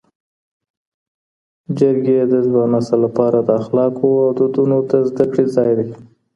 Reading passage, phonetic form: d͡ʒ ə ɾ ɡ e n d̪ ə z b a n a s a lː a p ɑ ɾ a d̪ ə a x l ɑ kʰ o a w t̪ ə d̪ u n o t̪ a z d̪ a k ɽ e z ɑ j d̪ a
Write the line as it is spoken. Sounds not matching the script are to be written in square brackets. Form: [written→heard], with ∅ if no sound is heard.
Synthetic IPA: d͡ʒ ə ɾ ɡ e [n→∅] d̪ ə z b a n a s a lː a p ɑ ɾ a d̪ ə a x l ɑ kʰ o a w [t̪→d̪] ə d̪ u n o t̪ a z d̪ a k ɽ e z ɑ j d̪ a